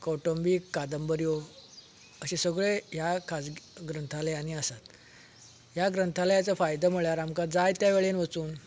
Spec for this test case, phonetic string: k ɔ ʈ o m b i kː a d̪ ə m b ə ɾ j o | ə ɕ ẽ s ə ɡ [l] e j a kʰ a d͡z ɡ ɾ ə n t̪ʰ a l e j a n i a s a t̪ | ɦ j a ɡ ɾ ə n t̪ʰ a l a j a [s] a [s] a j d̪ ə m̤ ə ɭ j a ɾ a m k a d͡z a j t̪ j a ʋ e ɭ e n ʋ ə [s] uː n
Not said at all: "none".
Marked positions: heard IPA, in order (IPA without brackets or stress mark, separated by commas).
ɭ, t͡s, f, t͡s